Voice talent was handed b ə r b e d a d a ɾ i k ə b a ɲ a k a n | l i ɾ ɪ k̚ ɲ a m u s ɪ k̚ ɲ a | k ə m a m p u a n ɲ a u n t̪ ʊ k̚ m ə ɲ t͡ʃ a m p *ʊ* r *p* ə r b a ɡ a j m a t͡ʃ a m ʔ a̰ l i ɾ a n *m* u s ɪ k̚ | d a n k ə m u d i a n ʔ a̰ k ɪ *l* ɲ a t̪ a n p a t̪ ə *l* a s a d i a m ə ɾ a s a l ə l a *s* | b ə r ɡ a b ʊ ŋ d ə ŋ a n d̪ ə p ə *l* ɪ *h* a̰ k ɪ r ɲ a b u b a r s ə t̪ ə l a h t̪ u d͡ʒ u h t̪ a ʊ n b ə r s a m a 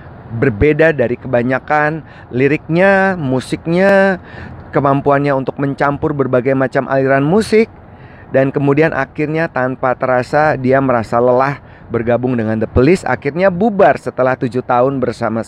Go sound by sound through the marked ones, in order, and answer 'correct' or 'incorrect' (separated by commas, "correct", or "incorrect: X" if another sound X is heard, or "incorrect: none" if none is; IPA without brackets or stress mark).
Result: correct, incorrect: b, correct, incorrect: r, incorrect: ɾ, incorrect: h, correct, incorrect: s